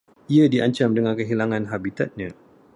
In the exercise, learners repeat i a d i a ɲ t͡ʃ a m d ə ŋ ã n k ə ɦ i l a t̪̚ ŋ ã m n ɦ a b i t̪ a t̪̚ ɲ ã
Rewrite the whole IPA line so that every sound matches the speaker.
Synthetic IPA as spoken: i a d i a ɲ t͡ʃ a m d ə ŋ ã n k ə ɦ i l a ŋ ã n ɦ a b i t̪ a t̪̚ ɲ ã